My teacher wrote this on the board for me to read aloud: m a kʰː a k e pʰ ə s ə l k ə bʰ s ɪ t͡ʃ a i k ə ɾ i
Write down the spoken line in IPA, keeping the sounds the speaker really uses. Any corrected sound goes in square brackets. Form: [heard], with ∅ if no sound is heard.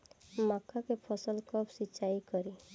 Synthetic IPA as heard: m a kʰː a k e pʰ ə s ə l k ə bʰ s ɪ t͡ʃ a i k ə ɾ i